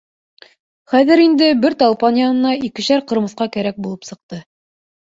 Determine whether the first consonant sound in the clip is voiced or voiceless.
voiceless